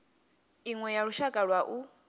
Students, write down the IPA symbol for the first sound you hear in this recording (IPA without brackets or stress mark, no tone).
i